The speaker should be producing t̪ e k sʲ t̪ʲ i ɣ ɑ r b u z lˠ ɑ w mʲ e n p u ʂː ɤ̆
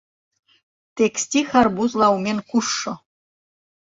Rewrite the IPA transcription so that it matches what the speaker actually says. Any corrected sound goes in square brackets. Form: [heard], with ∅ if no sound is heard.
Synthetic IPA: t̪ e k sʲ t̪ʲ i [x] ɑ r b u z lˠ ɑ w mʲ e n [k] u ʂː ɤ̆